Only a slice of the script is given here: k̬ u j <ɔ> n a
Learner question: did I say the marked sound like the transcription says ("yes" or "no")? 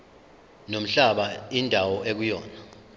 no